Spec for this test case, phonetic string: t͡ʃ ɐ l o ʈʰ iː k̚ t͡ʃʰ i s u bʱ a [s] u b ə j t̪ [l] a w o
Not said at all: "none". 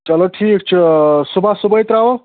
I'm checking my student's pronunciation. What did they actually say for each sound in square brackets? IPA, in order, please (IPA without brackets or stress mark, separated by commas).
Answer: s, ɾ